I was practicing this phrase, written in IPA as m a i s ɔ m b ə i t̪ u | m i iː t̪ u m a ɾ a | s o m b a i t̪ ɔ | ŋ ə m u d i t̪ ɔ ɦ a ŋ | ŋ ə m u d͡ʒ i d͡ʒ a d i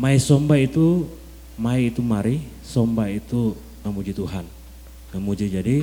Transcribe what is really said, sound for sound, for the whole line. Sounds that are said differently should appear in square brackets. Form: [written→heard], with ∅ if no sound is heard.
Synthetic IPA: m a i s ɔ m b [ə→a] i t̪ u | m [i→a] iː t̪ u m a ɾ [a→i] | s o m b a i t̪ [ɔ→u] | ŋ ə m u [d→d͡ʒ] i t̪ [ɔ→u] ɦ a [ŋ→n] | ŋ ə m u d͡ʒ i d͡ʒ a d i